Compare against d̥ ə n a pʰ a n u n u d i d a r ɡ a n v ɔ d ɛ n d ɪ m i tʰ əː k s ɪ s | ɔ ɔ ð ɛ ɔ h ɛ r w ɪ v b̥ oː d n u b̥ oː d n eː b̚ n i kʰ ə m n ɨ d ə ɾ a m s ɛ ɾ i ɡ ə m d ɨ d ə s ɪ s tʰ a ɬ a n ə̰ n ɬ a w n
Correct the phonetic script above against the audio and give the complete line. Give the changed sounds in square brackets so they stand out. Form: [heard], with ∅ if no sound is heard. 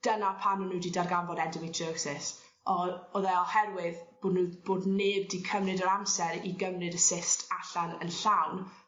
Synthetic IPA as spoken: d̥ ə n a pʰ a n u n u d i d a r ɡ a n v ɔ d ɛ n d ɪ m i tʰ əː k s ɪ s | ɔ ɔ ð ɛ ɔ h ɛ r w ɪ [ð] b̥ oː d n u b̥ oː d n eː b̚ [d] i kʰ ə m n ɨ d ə ɾ a m s ɛ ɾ i ɡ ə m [n] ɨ d ə s ɪ s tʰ a ɬ a n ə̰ n ɬ a w n

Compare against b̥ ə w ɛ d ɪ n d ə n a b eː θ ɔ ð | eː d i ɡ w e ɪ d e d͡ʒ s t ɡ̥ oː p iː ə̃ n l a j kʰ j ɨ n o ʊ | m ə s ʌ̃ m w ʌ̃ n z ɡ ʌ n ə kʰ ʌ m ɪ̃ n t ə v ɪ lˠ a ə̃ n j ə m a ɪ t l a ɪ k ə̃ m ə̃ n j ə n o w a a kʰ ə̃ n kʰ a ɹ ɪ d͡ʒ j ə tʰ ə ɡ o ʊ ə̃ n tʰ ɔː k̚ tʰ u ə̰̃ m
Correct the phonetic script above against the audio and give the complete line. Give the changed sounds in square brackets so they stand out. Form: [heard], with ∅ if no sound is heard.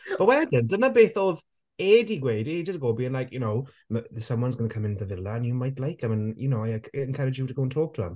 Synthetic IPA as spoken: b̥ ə w ɛ d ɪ n d ə n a b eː θ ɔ ð | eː d i ɡ w e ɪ d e d͡ʒ s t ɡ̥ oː [b] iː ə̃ n l a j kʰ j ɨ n o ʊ | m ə s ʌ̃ m w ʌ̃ n z ɡ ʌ n ə kʰ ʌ m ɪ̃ n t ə v ɪ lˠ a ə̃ n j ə m a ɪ t l a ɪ k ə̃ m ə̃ n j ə n o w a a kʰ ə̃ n kʰ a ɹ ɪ d͡ʒ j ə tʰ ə ɡ o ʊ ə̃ n tʰ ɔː k̚ tʰ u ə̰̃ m

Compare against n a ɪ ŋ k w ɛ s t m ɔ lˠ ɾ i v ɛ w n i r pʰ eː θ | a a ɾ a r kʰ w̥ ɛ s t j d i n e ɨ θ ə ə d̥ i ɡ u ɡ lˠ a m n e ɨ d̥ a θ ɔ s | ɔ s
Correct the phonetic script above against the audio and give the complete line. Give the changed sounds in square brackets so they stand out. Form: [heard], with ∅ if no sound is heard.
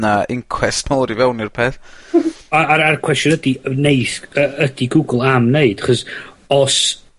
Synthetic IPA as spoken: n a ɪ ŋ [kʰ] w ɛ s t m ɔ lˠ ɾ i v ɛ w n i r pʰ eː θ | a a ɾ a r kʰ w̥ ɛ s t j d i n e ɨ θ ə ə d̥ i ɡ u ɡ lˠ a m n e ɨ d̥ a [χ] ɔ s | ɔ s

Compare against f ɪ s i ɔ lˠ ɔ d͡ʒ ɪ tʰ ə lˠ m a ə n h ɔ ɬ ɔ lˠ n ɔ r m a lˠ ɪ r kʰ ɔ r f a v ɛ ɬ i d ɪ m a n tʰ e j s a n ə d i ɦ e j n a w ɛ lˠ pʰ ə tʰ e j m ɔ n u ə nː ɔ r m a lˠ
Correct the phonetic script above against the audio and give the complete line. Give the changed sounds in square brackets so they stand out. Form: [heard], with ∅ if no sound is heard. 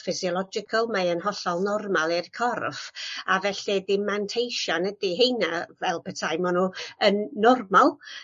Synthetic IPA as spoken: f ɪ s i ɔ lˠ ɔ d͡ʒ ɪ [kʰ] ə lˠ m a ə n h ɔ ɬ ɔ lˠ n ɔ r m a lˠ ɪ r kʰ ɔ r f a v ɛ ɬ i d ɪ m a n tʰ e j [ʃ] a n ə d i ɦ e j n a [v] ɛ lˠ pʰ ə tʰ [a] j m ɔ n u ə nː ɔ r m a lˠ

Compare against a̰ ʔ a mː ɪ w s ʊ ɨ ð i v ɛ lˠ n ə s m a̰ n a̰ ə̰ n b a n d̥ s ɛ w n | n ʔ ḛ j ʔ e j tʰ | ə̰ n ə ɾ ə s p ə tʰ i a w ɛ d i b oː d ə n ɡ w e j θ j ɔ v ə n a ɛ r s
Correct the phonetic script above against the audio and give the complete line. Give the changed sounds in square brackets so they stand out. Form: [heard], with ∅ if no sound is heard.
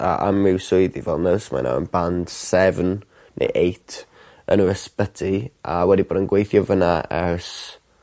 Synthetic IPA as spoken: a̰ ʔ a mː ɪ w s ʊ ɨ ð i v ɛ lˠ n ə s m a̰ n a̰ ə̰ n b a n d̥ s ɛ [v] n | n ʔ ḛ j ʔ e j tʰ | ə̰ n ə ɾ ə s p ə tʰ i a w ɛ d i b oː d ə n ɡ w e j θ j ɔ v ə n a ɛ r s

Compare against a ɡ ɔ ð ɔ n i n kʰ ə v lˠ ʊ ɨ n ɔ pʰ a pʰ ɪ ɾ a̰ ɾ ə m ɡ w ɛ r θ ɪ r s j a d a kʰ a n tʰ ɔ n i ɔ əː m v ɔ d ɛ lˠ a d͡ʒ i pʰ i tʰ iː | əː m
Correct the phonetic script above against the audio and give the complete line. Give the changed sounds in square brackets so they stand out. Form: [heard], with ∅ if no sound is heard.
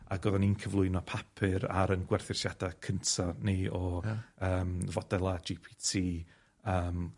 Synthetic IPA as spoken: a ɡ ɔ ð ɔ n i n kʰ ə v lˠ ʊ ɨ n ɔ pʰ a pʰ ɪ ɾ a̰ ɾ ə [n] ɡ w ɛ r θ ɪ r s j a d a kʰ [ə] n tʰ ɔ n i ɔ əː m v ɔ d ɛ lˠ a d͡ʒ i pʰ i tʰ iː | əː m

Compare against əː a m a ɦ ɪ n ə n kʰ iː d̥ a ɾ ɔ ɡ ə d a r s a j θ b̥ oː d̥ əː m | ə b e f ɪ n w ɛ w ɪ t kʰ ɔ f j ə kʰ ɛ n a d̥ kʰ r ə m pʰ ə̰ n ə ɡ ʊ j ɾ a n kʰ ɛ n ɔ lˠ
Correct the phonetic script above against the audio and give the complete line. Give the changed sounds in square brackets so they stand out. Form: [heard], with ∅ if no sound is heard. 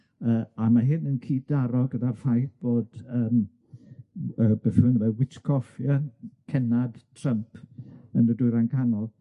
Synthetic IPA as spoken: əː a m a ɦ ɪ n ə n kʰ iː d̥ a ɾ ɔ ɡ ə d a r [f] a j θ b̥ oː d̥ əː m | ə b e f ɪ n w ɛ w ɪ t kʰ ɔ f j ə kʰ ɛ n a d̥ [tʰ] r ə m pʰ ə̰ n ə [d] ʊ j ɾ a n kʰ [a] n ɔ lˠ

